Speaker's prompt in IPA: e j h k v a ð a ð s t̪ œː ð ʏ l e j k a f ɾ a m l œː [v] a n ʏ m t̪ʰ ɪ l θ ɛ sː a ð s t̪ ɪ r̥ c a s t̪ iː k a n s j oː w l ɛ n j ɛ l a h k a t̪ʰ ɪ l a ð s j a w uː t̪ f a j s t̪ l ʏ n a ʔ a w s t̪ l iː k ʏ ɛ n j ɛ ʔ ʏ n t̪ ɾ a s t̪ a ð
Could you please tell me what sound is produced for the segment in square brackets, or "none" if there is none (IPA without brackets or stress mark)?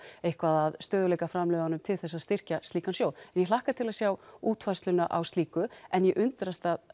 ð